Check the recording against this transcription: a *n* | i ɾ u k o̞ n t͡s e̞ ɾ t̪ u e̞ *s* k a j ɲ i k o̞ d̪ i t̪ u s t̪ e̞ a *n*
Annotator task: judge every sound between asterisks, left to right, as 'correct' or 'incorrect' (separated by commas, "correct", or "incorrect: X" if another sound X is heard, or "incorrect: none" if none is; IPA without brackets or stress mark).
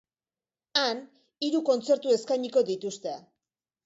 correct, correct, incorrect: none